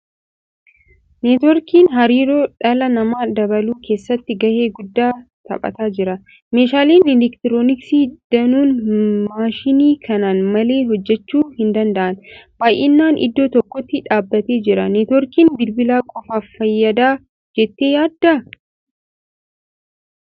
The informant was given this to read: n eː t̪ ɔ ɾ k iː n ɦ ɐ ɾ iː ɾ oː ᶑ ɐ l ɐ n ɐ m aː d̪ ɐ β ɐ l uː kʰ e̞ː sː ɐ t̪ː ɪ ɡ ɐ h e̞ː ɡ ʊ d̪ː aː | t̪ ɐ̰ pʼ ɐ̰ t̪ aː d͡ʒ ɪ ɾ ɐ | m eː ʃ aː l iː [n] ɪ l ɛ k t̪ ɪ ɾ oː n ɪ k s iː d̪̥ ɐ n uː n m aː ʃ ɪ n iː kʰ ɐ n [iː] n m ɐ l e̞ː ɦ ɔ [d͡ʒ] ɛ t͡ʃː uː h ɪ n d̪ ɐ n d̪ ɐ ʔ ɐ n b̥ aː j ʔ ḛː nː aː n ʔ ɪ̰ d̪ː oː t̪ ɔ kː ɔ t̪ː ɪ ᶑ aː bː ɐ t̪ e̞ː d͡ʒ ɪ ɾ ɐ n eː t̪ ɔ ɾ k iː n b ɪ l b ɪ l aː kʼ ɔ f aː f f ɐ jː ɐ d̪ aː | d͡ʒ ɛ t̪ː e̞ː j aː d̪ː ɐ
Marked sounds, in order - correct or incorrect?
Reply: correct, incorrect: aː, incorrect: d͡ʒː

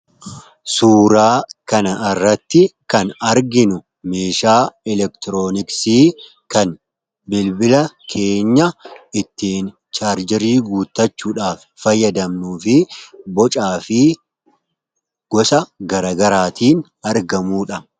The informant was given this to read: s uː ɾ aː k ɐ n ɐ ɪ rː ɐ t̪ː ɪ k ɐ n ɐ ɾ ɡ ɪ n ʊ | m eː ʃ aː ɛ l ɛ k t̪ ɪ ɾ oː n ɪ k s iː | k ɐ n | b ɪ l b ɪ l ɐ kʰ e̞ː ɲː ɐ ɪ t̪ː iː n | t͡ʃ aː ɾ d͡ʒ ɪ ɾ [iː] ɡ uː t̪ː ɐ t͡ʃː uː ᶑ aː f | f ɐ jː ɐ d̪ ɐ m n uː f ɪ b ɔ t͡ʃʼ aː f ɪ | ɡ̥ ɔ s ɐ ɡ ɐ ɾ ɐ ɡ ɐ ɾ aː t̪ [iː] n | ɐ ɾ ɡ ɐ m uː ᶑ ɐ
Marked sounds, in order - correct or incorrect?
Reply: correct, correct

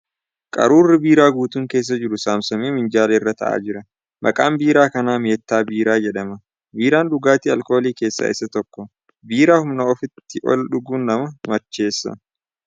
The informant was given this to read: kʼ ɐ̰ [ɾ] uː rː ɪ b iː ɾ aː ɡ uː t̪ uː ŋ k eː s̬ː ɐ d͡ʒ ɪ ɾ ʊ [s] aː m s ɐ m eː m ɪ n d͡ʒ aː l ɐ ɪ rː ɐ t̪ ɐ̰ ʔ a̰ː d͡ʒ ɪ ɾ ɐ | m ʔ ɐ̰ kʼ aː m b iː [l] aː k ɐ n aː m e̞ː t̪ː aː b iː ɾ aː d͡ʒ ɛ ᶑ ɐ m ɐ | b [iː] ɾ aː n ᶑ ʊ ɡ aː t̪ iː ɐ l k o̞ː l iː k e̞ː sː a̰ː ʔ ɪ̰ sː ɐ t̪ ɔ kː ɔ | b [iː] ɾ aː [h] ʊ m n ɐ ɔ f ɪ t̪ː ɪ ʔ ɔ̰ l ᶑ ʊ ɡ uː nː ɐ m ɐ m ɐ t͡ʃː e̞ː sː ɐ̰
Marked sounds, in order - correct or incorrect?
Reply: correct, correct, incorrect: ɾ, correct, correct, correct

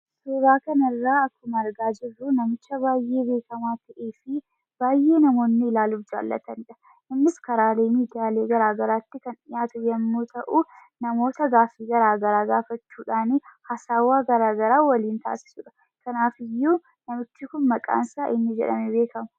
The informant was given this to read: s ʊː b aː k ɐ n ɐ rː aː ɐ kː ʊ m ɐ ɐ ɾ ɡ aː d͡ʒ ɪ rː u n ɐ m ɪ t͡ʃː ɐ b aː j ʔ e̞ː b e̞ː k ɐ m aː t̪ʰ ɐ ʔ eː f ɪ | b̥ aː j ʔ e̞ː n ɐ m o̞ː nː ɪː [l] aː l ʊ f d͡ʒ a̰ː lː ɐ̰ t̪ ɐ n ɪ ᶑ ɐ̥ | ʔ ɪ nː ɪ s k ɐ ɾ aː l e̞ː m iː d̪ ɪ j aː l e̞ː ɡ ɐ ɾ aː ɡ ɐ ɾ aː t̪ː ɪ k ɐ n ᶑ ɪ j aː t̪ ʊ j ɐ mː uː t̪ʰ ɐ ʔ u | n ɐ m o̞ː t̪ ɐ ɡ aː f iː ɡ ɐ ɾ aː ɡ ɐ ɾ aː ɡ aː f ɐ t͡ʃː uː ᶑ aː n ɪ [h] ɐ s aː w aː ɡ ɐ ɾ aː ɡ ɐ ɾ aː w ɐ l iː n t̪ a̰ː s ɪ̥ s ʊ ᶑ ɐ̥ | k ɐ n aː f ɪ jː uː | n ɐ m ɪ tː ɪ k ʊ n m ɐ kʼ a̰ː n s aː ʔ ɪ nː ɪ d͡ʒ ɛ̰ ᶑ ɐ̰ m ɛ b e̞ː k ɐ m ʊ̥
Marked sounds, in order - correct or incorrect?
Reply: correct, correct

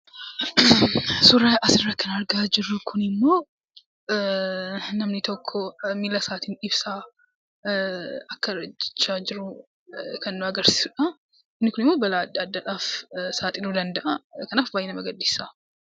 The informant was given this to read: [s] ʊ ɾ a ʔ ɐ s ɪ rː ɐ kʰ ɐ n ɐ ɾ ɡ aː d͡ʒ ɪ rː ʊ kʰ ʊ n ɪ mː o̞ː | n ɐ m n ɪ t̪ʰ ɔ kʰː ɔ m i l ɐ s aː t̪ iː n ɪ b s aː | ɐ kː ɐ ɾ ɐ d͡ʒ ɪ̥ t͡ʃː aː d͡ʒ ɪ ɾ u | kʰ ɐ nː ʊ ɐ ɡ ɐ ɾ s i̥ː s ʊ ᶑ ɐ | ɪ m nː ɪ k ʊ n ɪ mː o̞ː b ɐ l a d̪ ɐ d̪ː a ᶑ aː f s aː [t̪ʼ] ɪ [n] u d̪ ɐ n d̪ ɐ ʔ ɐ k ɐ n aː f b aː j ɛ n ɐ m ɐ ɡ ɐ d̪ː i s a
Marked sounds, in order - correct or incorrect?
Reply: correct, correct, correct

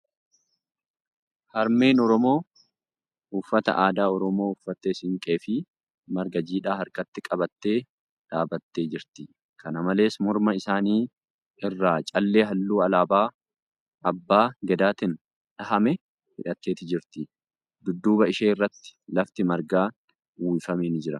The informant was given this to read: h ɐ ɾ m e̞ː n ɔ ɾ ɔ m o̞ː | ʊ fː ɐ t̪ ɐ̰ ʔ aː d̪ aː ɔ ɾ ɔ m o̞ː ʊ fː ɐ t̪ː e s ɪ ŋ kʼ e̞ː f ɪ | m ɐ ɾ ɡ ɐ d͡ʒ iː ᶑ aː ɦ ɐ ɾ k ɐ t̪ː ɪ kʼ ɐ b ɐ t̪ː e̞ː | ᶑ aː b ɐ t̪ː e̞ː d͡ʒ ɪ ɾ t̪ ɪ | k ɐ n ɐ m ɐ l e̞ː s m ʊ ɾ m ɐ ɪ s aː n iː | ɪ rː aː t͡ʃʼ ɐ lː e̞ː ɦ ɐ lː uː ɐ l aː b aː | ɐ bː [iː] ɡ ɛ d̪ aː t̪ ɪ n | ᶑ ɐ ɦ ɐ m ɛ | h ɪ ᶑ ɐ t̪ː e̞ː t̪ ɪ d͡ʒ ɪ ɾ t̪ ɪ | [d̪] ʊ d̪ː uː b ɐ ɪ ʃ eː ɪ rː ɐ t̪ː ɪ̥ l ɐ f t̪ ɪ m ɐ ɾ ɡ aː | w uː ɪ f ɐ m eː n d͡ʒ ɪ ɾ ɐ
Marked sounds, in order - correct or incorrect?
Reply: incorrect: aː, correct

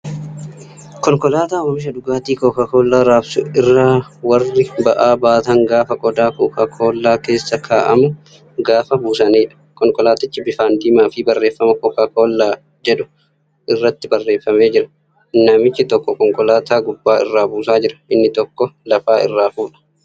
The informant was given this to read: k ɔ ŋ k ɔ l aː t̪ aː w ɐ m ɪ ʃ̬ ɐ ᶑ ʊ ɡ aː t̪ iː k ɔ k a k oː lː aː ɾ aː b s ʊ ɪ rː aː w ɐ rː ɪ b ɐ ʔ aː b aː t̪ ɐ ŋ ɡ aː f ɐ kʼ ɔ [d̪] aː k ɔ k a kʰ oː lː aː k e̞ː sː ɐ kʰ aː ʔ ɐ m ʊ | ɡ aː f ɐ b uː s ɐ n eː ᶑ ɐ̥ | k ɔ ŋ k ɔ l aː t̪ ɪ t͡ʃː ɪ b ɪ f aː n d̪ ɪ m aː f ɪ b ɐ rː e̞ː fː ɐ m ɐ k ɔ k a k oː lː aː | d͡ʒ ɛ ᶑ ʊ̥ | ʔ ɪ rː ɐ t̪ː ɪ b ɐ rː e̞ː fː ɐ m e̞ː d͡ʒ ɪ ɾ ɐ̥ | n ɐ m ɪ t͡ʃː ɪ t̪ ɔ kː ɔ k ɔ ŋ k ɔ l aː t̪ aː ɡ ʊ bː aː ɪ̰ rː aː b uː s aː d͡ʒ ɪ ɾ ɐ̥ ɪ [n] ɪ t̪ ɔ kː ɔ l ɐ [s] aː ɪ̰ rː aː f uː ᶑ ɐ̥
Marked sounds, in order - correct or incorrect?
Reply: correct, incorrect: nː, incorrect: f

